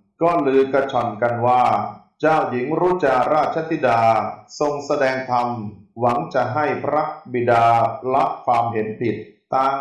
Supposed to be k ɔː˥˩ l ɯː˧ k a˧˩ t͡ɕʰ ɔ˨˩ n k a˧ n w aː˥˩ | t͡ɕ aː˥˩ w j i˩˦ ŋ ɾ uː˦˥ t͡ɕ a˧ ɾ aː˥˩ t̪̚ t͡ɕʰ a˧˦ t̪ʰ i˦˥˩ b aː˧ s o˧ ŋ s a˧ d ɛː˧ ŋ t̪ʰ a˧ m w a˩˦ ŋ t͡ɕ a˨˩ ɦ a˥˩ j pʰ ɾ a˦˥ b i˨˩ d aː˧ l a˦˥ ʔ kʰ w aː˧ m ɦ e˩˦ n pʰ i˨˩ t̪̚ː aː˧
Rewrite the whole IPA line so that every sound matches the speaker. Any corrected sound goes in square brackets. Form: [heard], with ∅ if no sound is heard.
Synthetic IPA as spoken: k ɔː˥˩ l ɯː˧ k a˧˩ t͡ɕʰ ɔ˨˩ n k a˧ n w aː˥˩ | t͡ɕ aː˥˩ w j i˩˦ ŋ ɾ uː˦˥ t͡ɕ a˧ ɾ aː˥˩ t̪̚ t͡ɕʰ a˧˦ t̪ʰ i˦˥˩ [d] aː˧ s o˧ ŋ s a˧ d ɛː˧ ŋ t̪ʰ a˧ m w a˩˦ ŋ t͡ɕ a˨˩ ɦ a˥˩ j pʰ ɾ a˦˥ b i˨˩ d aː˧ l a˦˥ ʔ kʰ w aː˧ m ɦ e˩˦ n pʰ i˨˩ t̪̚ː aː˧

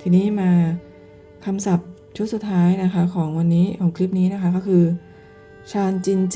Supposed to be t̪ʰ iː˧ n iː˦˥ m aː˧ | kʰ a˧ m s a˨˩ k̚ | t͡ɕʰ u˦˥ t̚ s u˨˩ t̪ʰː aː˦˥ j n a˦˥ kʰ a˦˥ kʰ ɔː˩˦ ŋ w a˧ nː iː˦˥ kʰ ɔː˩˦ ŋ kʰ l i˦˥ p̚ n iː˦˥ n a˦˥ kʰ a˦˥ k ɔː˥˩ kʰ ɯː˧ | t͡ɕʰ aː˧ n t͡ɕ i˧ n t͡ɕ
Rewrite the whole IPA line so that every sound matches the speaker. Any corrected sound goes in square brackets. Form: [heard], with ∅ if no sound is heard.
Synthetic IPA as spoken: t̪ʰ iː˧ n iː˦˥ m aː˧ | kʰ a˧ m s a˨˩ [p̚] | t͡ɕʰ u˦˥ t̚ s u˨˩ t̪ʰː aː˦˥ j n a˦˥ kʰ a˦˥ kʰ ɔː˩˦ ŋ w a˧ nː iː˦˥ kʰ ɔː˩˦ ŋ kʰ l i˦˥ p̚ n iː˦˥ n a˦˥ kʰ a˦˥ k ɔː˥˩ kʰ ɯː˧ | t͡ɕʰ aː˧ n t͡ɕ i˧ n t͡ɕ

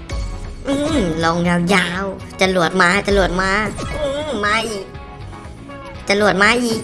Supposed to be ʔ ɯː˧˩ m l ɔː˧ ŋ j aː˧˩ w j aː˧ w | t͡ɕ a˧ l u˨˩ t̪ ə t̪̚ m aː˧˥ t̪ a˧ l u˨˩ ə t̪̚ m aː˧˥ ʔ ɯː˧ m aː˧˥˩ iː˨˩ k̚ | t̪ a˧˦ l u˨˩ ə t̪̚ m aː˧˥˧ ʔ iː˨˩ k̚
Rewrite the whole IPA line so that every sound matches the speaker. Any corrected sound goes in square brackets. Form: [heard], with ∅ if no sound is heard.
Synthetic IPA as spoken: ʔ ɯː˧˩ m l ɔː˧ ŋ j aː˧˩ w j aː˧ w | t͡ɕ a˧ l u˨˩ [∅] ə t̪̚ m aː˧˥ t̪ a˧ l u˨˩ ə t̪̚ m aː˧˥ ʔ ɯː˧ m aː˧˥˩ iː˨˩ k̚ | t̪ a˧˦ l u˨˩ ə t̪̚ m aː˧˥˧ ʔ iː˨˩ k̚

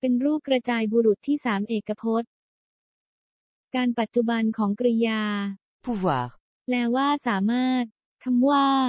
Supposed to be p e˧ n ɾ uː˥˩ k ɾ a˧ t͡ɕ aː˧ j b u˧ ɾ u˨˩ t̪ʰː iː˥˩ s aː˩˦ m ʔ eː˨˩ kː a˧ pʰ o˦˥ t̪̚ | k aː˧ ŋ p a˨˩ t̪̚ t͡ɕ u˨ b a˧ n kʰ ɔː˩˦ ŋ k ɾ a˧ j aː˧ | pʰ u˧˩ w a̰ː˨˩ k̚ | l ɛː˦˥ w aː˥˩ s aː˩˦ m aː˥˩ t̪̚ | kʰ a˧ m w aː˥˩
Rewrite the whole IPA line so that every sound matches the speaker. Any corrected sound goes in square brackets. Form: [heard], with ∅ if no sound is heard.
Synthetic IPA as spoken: p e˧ n ɾ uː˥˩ k ɾ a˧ t͡ɕ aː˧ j b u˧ ɾ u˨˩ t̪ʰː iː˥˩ s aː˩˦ m ʔ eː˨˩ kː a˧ pʰ o˦˥ t̪̚ | k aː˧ [n] p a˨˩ t̪̚ t͡ɕ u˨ b a˧ n kʰ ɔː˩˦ ŋ k ɾ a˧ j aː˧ | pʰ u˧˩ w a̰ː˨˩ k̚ | l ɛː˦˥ w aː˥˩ s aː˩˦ m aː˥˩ t̪̚ | kʰ a˧ m w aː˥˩

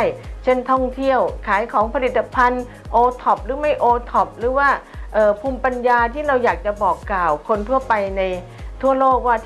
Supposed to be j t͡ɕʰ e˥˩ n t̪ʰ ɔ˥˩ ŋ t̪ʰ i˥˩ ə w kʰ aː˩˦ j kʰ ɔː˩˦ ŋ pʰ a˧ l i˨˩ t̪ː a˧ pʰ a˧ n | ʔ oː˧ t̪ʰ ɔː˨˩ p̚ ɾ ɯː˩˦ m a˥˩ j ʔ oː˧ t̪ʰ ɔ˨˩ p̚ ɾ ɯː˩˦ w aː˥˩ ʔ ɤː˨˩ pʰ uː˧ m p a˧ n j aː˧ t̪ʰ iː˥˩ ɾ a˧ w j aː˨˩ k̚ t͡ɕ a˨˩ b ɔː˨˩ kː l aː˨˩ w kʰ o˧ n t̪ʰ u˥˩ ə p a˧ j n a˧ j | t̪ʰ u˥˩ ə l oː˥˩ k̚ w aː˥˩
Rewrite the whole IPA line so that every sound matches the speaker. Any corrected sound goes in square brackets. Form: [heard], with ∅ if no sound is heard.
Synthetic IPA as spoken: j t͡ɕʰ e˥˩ n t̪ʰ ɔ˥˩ ŋ t̪ʰ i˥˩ ə w kʰ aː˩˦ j kʰ ɔː˩˦ ŋ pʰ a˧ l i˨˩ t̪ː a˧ pʰ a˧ n | ʔ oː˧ t̪ʰ [ɔ˨˩] p̚ ɾ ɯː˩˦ m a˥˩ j ʔ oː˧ t̪ʰ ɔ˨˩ p̚ ɾ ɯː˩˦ w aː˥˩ ʔ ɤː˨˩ pʰ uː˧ m p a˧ n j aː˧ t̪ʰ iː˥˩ ɾ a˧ w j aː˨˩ k̚ t͡ɕ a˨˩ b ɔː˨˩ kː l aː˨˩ w kʰ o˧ n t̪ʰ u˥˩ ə p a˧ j n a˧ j | t̪ʰ u˥˩ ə l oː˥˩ k̚ w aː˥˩

